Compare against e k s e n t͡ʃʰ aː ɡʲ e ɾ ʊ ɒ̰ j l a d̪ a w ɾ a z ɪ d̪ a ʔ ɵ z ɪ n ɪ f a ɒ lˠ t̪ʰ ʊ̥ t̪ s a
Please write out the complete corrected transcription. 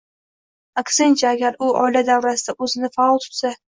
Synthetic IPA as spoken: a k s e n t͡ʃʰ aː ɡʲ a ɾ ʊ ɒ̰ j l a d̪ a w ɾ a s ɪ d̪ a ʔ ɵ z ɪ n ɪ f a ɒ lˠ t̪ʰ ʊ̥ t̪ s a